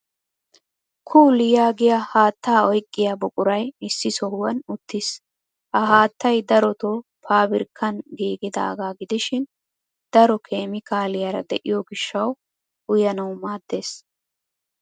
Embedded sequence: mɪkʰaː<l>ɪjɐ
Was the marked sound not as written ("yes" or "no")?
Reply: no